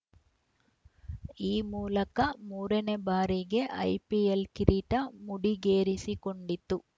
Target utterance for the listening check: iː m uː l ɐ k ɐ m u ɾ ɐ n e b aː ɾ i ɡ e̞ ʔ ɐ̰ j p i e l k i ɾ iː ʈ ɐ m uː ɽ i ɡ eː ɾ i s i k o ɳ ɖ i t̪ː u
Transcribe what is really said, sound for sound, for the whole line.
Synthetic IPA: iː m uː l ɐ k ɐ m uː ɾ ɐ n e b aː ɾ i ɡ e̞ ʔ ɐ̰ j p i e l k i ɾ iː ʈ ɐ m u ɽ i ɡ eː ɾ i s i k o ɳ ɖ i t̪ː u